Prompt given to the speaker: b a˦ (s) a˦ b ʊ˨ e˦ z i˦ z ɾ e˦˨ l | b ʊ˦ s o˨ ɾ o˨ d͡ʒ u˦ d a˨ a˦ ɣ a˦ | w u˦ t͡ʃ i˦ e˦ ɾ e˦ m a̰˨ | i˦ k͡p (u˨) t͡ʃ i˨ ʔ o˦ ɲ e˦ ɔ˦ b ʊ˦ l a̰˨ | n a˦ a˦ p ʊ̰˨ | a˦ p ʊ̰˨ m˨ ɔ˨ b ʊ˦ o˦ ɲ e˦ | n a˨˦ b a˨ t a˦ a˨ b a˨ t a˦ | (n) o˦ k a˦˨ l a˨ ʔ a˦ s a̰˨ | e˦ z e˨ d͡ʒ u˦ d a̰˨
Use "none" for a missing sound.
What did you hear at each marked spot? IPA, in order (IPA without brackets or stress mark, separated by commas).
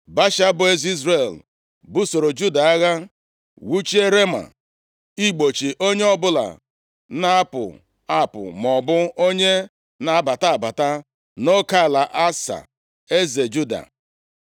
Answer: ʃ, o˨, n